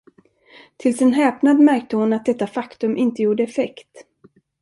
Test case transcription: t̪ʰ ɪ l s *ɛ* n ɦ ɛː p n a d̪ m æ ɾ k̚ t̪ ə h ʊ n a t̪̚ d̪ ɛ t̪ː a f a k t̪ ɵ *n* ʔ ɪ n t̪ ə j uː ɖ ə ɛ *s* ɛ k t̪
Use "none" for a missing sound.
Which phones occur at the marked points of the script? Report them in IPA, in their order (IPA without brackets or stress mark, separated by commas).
ɛ, m, f